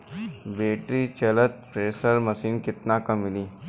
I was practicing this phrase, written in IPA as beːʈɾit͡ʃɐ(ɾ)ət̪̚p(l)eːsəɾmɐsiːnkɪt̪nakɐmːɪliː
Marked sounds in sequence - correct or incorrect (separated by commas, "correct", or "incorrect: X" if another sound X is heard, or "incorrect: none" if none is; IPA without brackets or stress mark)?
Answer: incorrect: l, incorrect: ɾ